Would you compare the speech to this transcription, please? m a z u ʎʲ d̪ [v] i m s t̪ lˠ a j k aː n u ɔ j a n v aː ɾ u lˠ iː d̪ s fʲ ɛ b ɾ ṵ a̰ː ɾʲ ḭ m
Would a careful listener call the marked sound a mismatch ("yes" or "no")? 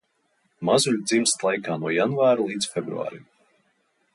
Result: yes